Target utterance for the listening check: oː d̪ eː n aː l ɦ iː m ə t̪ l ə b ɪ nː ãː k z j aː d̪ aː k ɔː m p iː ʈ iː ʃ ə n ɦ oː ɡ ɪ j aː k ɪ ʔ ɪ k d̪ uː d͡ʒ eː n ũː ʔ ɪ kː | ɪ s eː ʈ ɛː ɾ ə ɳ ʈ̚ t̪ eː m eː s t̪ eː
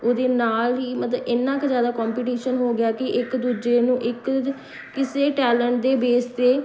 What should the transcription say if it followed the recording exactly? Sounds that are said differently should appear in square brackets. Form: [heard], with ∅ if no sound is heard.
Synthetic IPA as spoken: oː d̪ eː n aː l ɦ iː m ə t̪ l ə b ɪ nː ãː k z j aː d̪ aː k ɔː m p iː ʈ iː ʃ ə n ɦ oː ɡ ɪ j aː k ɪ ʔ ɪ k d̪ uː d͡ʒ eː n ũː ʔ ɪ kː | ɪ s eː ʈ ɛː [l] ə ɳ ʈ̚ [d̪] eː [b] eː s t̪ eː